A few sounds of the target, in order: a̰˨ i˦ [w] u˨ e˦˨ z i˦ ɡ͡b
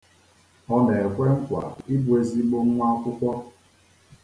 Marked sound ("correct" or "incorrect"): incorrect